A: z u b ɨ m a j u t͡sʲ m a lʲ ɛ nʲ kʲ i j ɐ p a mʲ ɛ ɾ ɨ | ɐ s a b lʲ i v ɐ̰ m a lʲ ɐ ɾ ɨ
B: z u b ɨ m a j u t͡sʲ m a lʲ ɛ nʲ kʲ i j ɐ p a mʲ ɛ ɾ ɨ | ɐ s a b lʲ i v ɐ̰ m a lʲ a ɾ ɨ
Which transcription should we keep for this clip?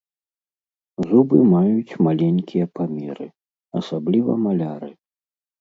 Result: B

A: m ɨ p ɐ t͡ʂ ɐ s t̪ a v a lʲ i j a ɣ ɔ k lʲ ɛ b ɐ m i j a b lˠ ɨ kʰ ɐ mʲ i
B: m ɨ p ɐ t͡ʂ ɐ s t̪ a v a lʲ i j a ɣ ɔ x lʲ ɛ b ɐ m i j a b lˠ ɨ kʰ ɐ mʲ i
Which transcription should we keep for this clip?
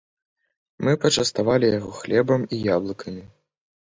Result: B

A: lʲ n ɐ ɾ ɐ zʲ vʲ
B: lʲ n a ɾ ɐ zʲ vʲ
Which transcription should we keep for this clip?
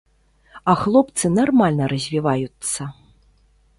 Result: A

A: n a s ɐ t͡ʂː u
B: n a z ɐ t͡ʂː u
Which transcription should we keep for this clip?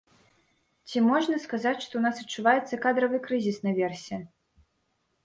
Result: A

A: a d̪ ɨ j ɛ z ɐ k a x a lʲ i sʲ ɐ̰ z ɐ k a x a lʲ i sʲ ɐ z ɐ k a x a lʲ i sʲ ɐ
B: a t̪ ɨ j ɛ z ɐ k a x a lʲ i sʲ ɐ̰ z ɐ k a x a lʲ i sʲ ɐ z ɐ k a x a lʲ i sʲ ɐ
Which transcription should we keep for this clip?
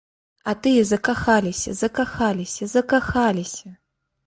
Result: B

